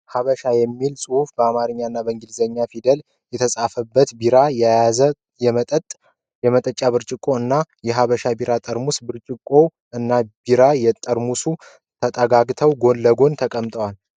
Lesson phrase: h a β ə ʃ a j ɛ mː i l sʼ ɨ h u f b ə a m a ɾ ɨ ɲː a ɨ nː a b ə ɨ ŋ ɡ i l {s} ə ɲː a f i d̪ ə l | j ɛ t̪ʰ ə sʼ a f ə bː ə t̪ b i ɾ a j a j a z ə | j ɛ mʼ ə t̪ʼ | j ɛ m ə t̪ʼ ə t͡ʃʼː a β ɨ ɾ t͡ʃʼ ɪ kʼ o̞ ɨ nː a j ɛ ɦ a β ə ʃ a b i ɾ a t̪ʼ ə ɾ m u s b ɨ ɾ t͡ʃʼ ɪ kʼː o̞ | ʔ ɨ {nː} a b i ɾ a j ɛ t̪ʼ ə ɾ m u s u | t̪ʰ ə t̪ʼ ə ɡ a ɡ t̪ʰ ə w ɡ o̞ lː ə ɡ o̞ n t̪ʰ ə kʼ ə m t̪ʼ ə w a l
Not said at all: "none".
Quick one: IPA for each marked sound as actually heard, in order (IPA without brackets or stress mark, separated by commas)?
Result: z, nː